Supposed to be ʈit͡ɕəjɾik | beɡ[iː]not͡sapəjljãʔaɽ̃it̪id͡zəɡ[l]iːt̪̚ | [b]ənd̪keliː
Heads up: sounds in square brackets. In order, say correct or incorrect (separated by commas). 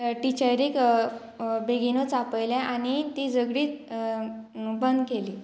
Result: incorrect, incorrect, correct